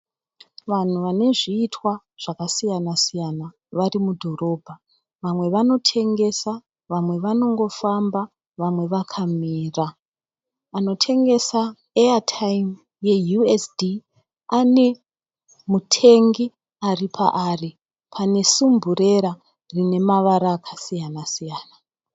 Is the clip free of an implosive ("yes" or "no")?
yes